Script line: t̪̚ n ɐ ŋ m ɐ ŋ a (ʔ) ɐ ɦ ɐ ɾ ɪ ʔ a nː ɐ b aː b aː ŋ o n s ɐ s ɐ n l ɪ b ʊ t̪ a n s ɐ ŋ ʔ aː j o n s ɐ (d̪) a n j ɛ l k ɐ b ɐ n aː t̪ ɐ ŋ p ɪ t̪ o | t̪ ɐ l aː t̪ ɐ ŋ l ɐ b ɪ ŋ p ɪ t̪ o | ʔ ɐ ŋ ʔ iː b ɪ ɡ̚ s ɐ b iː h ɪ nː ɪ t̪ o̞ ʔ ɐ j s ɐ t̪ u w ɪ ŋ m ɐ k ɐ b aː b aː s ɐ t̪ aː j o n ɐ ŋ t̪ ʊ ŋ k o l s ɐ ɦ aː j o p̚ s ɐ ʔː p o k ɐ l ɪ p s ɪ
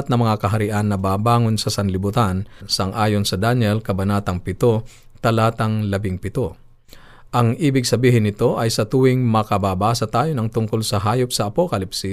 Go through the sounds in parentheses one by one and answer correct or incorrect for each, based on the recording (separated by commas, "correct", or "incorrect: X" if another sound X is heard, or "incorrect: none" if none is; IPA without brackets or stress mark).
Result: incorrect: k, correct